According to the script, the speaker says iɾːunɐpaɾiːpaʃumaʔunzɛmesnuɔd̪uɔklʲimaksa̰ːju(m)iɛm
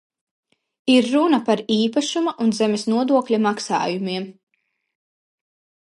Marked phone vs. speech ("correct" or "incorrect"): correct